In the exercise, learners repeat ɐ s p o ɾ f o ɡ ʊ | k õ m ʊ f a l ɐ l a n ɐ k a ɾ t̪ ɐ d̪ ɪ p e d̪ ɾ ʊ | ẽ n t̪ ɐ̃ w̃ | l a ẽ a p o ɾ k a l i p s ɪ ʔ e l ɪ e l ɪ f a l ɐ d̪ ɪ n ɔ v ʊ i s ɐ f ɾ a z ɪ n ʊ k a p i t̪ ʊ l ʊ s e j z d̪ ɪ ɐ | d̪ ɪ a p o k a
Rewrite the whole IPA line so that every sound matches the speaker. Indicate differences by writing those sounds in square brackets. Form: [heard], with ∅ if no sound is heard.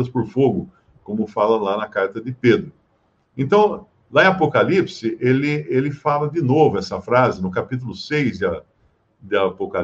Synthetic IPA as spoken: ɐ s p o ɾ f o ɡ ʊ | k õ m ʊ f a l ɐ l a n ɐ k a ɾ t̪ ɐ d̪ ɪ p e d̪ ɾ ʊ | ẽ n t̪ ɐ̃ w̃ | l a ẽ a p o [∅] k a l i p s ɪ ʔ e l ɪ e l ɪ f a l ɐ d̪ ɪ n [o] v ʊ [ɛ] s ɐ f ɾ a z ɪ n ʊ k a p i t̪ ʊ l ʊ s e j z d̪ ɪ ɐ | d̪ ɪ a p o k a